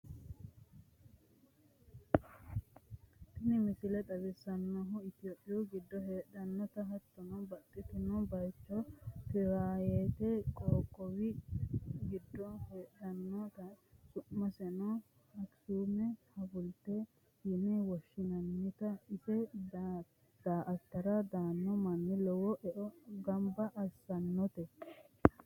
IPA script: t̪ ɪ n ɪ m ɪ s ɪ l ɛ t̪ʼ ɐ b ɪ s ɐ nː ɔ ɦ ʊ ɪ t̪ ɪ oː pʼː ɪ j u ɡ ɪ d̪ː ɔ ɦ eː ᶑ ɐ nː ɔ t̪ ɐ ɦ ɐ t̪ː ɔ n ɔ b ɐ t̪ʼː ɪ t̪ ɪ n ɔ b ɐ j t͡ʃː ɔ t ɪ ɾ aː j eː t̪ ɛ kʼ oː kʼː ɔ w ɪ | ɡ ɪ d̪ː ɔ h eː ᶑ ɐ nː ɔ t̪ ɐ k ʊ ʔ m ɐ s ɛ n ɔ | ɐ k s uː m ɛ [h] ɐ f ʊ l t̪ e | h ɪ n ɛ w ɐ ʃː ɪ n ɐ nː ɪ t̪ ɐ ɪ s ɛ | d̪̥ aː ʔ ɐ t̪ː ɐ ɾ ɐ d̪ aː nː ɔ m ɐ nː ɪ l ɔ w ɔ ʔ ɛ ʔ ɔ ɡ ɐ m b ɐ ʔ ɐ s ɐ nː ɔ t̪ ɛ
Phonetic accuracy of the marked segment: correct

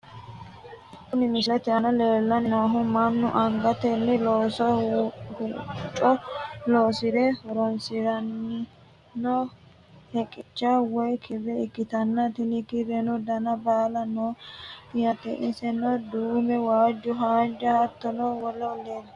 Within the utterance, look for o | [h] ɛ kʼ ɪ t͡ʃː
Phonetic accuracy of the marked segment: correct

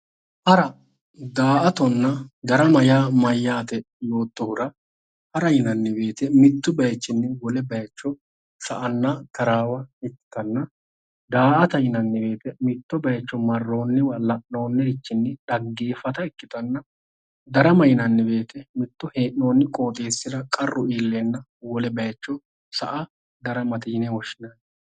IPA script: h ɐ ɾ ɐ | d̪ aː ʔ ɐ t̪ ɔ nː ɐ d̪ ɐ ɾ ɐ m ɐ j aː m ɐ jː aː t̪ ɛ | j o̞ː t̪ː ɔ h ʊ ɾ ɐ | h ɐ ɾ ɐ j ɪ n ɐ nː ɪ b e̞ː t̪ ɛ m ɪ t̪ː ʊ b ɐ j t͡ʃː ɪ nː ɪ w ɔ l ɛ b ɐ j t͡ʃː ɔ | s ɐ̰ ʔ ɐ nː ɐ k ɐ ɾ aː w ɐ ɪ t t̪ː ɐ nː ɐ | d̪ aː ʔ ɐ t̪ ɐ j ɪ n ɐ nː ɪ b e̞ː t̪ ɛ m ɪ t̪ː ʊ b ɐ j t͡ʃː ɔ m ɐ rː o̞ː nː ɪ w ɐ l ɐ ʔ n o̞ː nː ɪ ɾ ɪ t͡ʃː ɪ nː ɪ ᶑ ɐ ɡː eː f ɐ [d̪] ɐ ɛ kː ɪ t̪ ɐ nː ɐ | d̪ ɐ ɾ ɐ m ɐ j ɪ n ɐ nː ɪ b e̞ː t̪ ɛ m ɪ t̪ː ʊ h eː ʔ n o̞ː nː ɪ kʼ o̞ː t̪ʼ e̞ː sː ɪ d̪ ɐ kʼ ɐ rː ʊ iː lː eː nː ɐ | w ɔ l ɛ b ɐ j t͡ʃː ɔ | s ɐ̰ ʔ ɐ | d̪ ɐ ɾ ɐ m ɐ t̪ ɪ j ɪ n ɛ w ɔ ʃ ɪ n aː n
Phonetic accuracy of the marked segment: incorrect: t̪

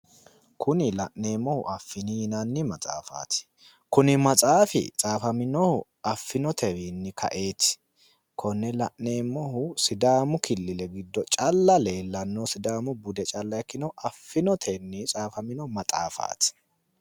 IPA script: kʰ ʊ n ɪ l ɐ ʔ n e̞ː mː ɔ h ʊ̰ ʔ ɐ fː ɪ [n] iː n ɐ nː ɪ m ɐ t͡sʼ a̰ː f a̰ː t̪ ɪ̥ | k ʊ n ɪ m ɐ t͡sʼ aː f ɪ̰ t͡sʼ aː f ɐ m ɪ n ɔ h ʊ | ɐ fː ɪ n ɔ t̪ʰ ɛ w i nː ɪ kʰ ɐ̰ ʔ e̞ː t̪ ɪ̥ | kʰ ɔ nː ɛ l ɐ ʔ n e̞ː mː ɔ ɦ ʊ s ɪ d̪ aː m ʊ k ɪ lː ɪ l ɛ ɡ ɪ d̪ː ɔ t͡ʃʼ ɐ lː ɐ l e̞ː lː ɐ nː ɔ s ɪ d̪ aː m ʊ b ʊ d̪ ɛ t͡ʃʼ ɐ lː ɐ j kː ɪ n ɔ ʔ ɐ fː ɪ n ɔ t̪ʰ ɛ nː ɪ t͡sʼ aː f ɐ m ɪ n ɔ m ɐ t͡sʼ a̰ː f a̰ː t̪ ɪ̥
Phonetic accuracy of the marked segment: correct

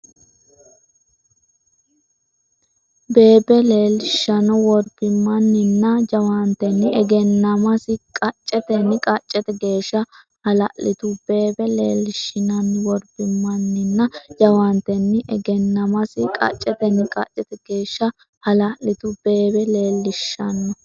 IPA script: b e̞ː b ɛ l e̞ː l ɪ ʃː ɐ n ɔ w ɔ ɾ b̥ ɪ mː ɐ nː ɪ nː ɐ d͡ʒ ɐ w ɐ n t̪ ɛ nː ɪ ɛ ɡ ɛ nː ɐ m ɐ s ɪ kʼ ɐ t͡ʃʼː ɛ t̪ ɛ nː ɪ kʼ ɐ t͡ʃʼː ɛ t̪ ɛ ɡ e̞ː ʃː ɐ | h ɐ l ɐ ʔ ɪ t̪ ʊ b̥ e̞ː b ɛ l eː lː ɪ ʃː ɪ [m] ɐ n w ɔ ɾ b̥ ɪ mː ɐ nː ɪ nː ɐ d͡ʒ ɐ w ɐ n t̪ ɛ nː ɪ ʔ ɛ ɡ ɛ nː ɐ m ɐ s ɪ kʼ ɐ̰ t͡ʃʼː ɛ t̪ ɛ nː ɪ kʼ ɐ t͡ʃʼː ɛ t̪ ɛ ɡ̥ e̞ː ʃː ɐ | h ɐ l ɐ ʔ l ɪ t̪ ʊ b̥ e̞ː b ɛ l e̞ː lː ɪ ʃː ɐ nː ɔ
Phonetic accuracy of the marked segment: incorrect: n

